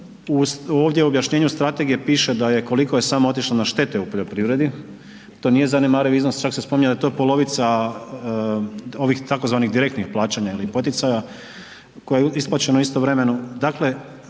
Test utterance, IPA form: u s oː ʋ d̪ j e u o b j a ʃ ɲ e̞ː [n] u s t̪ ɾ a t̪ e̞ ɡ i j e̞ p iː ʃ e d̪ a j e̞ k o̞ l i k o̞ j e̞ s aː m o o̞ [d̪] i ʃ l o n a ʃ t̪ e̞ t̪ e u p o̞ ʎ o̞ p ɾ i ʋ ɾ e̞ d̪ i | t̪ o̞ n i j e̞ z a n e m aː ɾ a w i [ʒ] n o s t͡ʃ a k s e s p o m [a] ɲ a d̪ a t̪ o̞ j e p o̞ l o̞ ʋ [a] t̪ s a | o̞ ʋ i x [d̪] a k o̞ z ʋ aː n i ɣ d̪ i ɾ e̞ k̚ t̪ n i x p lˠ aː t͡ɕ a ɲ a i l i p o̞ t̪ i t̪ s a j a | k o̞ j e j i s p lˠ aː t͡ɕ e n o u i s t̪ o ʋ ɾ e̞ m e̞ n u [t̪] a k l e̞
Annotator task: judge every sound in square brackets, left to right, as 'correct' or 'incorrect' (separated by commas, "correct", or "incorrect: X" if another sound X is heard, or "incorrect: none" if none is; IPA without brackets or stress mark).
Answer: incorrect: ɲ, incorrect: t̪, incorrect: z, incorrect: i, incorrect: i, incorrect: t̪, incorrect: d̪